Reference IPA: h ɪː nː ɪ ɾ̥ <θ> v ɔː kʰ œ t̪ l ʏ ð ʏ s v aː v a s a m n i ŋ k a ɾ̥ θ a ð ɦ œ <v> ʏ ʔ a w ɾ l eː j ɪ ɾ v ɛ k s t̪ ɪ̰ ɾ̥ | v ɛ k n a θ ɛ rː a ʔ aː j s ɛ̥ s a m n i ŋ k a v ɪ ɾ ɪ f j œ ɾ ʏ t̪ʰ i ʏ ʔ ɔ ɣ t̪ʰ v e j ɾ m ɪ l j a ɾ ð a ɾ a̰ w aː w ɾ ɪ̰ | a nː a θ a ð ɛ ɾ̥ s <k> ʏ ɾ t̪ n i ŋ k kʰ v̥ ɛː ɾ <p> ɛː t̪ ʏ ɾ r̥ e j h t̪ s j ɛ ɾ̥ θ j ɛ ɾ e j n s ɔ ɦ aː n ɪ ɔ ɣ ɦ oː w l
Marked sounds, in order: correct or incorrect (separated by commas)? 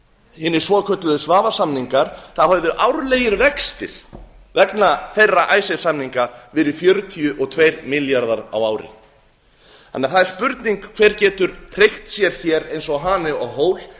incorrect, incorrect, incorrect, incorrect